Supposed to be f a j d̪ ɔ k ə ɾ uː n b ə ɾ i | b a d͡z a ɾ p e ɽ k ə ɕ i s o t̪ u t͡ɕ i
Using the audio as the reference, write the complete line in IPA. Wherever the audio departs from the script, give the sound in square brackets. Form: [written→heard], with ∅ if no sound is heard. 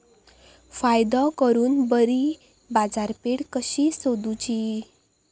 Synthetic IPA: f a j d̪ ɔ k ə ɾ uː n b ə ɾ i | b a d͡z a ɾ p e ɽ k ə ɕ i s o [t̪→d̪] u t͡ɕ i